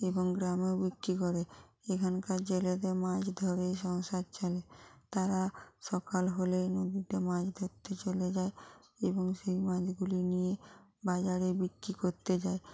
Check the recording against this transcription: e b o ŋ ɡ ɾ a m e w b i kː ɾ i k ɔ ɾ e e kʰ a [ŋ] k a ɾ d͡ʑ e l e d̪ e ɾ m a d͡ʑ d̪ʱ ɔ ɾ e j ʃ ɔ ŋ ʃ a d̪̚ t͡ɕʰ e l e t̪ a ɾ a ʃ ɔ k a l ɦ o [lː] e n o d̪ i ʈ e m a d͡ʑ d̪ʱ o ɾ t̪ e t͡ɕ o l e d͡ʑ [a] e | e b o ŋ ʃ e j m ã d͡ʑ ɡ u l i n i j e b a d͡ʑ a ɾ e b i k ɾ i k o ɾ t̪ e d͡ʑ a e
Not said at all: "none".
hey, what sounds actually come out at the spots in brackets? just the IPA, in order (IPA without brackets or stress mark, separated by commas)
n, l, a